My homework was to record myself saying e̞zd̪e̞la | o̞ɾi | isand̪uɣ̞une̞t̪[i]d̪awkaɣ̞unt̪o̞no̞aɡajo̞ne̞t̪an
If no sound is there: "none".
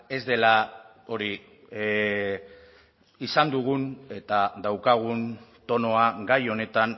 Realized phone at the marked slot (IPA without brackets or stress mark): a